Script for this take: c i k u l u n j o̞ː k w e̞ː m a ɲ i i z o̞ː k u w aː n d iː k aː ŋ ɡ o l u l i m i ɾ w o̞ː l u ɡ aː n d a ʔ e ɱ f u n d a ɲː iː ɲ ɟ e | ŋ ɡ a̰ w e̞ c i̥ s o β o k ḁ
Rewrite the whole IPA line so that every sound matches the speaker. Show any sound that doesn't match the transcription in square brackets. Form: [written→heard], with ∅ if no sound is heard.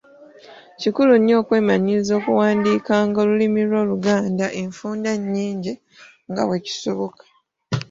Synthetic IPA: c i k u l u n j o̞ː k w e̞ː m a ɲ i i z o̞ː k u w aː n d iː k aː ŋ ɡ o l u l i m i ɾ w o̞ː l u ɡ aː n d a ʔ e ɱ f [u→uː] n d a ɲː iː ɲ ɟ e | ŋ ɡ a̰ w e̞ c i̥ s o β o k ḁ